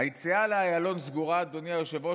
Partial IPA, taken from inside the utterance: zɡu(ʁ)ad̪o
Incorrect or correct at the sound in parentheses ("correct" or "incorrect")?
correct